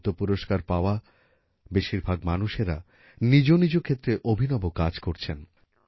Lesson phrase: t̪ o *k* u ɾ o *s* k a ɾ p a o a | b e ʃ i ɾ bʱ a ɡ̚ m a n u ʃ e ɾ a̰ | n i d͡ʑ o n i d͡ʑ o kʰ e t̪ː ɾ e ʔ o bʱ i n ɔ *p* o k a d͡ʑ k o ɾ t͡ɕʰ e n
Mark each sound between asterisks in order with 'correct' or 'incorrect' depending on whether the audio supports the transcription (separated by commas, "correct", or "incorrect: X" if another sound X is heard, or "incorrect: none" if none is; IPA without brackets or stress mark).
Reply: incorrect: p, incorrect: ʃ, incorrect: b